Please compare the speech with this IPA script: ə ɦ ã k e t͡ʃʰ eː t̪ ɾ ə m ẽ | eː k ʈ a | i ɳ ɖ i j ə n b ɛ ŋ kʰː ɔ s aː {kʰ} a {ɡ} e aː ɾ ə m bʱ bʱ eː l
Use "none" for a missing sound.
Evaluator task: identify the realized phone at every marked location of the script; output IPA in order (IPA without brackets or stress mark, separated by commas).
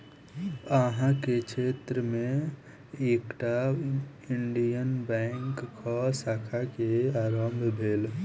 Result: kʰ, k